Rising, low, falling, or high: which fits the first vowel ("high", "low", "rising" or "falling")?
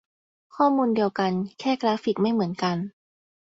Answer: falling